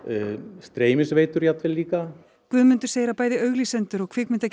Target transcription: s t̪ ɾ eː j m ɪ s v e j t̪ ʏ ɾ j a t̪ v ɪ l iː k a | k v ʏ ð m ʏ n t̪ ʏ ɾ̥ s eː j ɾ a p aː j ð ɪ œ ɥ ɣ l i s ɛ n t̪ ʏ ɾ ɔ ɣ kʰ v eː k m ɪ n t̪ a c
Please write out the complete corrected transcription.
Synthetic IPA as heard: s t̪ ɾ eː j m ɪ s v e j t̪ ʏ ɾ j a t̪ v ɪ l iː k a | k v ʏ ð m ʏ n t̪ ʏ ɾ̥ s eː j ɾ a p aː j ð ɪ œ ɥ ɣ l i s ɛ n t̪ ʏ ɾ ɔ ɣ kʰ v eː k m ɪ n t̪ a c